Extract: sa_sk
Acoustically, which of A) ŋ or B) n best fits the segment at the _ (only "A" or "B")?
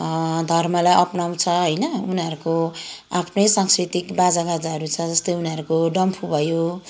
A